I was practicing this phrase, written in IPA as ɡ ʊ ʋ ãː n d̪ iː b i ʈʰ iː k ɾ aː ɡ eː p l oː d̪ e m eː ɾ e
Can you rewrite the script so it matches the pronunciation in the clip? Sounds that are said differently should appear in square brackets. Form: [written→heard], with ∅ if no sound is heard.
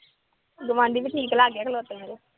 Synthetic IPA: ɡ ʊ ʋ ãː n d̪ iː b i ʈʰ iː k [ɾ→l] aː ɡ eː [p→k] l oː [d̪→t̪] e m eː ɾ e